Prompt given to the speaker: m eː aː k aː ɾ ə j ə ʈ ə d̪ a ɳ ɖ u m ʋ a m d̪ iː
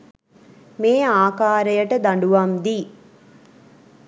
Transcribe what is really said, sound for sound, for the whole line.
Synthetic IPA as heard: m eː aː k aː ɾ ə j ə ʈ ə d̪ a ɳ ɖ u ʋ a m d̪ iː

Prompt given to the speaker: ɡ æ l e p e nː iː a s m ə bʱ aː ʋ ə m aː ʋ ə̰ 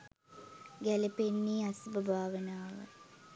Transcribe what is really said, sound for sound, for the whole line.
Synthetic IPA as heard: ɡ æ l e p e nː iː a s b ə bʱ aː ʋ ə n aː ʋ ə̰

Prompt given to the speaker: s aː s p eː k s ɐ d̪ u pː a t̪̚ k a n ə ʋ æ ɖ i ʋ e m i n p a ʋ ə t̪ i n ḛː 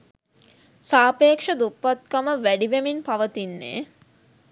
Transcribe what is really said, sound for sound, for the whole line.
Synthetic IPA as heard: s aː p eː k ʂ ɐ d̪ u pː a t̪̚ k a m ə ʋ æ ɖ i ʋ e m i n p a ʋ ə t̪ i nː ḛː

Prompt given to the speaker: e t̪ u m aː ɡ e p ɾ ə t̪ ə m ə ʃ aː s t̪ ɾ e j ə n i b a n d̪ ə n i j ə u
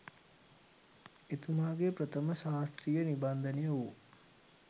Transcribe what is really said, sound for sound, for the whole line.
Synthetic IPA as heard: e t̪ u m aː ɡ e p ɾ ə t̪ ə m ə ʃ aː s t̪ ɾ i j ə n i b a n d̪ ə n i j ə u

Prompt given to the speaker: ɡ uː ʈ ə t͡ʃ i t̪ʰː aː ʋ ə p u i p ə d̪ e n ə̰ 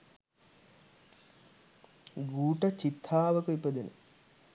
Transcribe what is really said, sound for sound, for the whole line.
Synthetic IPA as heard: ɡ uː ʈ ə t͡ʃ i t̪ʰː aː ʋ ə k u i p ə d̪ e n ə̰

